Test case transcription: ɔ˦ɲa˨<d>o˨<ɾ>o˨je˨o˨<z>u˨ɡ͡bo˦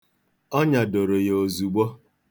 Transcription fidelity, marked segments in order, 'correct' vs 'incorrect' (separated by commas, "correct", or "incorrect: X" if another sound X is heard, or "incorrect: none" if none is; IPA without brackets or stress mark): correct, correct, correct